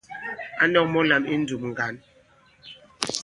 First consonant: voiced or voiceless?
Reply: voiced